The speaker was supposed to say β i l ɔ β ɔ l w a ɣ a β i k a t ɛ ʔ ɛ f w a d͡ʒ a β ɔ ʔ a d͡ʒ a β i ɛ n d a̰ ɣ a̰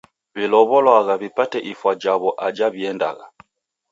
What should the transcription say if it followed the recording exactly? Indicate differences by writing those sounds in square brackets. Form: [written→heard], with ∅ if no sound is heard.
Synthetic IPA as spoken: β i l ɔ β ɔ l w a ɣ a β i [k→p] a t ɛ ʔ [ɛ→i] f w a d͡ʒ a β ɔ ʔ a d͡ʒ a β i ɛ n d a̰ ɣ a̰